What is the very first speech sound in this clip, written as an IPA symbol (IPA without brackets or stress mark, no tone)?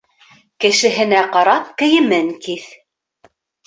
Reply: k